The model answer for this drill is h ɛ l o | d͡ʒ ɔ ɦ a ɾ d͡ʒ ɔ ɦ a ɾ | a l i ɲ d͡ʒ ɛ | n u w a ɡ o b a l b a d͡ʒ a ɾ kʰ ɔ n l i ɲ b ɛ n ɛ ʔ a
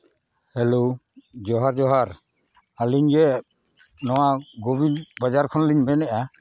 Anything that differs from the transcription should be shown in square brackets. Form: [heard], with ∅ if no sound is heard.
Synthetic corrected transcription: h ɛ l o | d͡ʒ ɔ ɦ a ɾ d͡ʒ ɔ ɦ a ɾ | a l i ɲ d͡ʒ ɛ | n [ɔ] w a ɡ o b [i] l b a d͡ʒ a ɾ kʰ ɔ n l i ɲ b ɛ n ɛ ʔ a

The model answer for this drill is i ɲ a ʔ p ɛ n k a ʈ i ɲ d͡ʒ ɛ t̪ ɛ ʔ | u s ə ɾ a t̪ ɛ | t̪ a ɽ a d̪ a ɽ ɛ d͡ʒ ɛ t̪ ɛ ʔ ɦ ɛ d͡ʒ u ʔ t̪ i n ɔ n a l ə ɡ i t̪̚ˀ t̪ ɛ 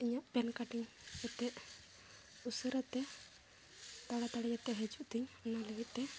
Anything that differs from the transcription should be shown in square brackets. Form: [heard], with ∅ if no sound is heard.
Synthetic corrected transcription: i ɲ a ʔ p ɛ n k a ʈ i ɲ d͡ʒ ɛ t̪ ɛ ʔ | u s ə ɾ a t̪ ɛ | t̪ a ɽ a [t̪] a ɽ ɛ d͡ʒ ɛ t̪ ɛ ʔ ɦ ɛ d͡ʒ u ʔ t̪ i [ɲ] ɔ n a l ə ɡ i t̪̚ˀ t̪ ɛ

